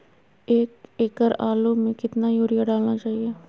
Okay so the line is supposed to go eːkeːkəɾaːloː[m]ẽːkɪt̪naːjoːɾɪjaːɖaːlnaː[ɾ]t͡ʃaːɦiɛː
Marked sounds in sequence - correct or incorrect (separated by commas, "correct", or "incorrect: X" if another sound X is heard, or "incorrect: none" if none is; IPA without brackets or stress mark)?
correct, incorrect: none